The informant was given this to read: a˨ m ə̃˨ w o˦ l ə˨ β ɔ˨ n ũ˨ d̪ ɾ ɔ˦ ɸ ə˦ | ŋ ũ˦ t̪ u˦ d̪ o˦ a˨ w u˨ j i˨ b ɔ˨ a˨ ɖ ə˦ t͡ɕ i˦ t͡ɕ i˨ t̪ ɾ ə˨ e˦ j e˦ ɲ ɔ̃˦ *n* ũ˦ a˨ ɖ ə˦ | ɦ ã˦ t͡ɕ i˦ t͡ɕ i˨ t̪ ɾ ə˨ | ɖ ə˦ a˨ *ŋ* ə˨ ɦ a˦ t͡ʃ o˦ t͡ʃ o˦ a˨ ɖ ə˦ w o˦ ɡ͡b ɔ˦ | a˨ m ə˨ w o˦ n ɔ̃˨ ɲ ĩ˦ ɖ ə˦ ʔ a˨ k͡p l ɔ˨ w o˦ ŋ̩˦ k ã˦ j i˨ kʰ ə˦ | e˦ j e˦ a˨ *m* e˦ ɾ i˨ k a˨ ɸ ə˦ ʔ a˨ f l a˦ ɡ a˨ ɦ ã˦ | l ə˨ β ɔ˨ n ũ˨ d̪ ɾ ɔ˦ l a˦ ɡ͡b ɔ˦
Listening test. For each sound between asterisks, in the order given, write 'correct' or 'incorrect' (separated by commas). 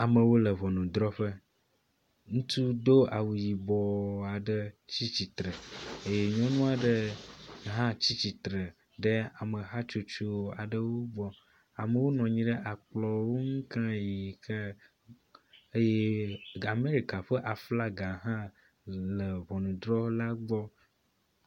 correct, incorrect, correct